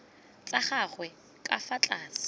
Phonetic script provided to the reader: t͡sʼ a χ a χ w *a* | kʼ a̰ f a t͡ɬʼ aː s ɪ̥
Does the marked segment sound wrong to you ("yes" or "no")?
yes